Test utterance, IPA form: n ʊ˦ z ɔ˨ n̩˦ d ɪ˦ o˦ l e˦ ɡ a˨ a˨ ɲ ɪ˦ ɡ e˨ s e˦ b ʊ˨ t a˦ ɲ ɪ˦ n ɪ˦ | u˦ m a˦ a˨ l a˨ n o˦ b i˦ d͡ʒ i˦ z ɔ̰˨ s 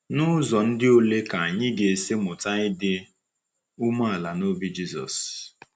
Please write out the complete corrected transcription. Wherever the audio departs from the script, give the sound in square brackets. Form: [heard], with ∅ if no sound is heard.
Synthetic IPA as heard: n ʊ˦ z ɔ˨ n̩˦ d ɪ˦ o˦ l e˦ [k] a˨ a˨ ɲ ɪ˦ ɡ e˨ s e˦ [m] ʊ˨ t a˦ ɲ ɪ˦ [d] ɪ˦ | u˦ m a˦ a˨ l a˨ n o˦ b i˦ d͡ʒ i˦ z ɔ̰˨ s